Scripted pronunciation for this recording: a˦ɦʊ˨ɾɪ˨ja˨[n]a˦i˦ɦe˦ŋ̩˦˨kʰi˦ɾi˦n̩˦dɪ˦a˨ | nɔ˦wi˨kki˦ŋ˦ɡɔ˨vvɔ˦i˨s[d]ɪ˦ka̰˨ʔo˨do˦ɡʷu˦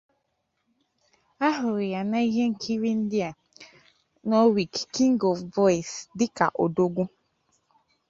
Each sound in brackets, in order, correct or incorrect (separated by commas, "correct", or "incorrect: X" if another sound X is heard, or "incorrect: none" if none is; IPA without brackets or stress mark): correct, correct